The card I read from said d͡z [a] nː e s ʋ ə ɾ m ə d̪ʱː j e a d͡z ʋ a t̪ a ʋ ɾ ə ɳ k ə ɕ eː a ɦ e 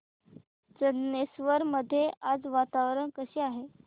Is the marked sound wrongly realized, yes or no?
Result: yes